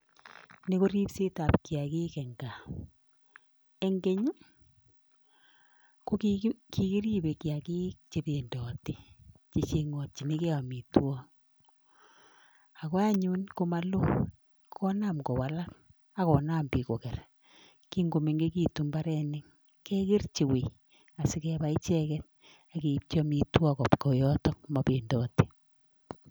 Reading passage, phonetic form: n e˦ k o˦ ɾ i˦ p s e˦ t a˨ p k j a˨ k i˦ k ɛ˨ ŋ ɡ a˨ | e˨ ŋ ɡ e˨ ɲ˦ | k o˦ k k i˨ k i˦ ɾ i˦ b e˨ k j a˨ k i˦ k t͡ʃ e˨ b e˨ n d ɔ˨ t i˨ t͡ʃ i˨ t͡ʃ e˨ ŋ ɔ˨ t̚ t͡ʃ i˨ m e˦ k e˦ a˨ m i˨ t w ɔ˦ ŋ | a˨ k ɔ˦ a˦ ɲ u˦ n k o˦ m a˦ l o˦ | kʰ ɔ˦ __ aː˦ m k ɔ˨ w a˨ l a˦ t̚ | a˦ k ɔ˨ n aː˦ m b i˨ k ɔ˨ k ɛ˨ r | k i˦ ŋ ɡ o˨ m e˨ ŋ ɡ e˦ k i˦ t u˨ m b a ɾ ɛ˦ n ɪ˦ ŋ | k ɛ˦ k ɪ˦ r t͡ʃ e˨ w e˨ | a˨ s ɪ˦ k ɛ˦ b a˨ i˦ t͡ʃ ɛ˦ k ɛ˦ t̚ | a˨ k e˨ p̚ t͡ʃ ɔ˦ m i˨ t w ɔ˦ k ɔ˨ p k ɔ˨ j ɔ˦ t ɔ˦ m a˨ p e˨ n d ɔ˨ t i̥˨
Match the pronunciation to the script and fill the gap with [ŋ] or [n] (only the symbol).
n